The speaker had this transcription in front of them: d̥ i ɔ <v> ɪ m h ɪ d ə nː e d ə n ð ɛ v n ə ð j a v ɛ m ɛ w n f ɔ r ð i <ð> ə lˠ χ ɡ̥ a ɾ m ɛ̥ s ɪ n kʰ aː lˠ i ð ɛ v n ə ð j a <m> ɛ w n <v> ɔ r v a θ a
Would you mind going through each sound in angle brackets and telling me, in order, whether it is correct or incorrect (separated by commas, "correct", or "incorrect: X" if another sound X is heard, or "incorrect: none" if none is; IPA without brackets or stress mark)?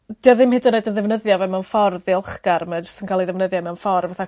incorrect: ð, incorrect: none, correct, incorrect: f